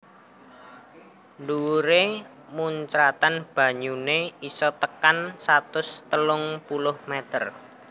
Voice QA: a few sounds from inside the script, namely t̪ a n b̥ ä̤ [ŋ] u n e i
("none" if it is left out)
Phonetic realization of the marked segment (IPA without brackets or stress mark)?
ɲ